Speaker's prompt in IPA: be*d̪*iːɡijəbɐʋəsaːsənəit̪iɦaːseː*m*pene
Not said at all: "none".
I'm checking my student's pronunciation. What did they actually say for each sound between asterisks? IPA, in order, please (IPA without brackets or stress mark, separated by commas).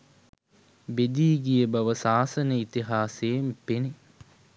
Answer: d̪, m